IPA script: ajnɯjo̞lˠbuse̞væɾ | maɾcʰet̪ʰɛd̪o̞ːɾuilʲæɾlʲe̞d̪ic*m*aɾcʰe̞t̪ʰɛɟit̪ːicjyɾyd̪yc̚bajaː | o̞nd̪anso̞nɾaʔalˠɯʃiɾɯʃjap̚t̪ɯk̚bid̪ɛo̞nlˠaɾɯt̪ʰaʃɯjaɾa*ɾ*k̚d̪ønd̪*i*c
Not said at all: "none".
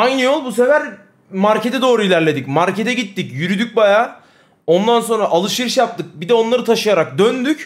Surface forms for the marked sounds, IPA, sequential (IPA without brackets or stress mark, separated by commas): m, none, y